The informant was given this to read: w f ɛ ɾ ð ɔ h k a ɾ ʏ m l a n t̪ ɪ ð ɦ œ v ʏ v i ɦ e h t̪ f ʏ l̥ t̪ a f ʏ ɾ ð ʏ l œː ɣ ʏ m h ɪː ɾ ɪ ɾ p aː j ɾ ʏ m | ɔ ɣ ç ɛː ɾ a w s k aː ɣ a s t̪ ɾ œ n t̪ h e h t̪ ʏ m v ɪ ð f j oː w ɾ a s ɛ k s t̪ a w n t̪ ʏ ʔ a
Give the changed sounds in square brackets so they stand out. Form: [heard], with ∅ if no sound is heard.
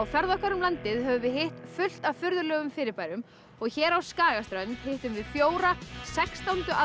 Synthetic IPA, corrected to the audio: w f ɛ ɾ ð ɔ h k a ɾ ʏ m l a n t̪ ɪ ð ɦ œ v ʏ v [ɪ] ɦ e h t̪ f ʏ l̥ t̪ a f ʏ ɾ ð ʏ l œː ɣ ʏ m [f] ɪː ɾ ɪ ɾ p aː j ɾ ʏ m | ɔ ɣ ç ɛː ɾ a w s k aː ɣ a s t̪ ɾ œ n t̪ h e h t̪ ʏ m v ɪ ð f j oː w ɾ a s ɛ k s t̪ a w n t̪ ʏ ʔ a